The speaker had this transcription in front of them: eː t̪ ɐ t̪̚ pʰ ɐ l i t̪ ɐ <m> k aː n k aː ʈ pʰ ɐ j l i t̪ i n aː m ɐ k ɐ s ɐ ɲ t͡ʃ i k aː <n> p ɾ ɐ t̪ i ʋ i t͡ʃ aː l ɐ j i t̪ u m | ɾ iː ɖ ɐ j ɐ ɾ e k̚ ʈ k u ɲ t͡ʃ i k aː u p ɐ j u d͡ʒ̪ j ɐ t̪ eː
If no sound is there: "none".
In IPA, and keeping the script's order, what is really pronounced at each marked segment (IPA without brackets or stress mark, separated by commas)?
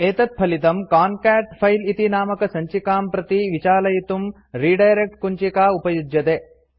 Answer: m, m